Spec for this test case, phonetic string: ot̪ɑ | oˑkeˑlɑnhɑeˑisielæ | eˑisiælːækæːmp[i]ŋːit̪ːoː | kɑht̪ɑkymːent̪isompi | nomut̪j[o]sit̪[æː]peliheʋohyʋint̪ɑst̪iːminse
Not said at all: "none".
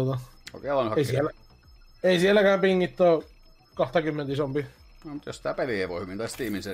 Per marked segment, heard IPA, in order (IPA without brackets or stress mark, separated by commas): i, o, æ